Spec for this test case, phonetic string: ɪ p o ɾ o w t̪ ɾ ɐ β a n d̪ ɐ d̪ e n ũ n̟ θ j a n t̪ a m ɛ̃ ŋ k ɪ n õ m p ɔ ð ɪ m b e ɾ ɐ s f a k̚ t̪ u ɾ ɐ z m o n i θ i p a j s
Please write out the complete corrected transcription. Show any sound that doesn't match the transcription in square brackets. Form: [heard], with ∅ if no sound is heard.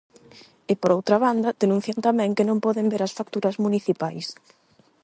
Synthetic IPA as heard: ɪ p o ɾ o w t̪ ɾ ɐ β a n d̪ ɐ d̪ e n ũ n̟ θ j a n t̪ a m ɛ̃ ŋ k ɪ n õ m p ɔ ð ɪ m b e ɾ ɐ s f a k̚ t̪ u ɾ ɐ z m [u] n i θ i p a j s